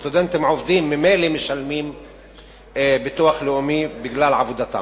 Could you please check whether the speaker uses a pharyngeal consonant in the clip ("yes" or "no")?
yes